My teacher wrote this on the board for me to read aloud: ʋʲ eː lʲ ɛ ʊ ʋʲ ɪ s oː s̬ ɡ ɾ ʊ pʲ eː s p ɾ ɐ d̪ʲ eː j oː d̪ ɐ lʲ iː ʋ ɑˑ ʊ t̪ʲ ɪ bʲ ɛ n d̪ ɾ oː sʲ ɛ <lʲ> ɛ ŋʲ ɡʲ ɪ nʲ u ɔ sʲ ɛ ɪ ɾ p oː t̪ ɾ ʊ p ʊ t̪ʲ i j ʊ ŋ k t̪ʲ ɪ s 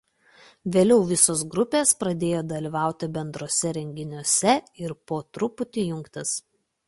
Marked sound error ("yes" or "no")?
yes